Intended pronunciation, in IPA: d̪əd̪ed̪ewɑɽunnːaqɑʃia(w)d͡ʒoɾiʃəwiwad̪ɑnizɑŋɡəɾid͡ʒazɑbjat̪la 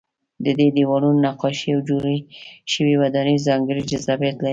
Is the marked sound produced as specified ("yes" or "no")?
yes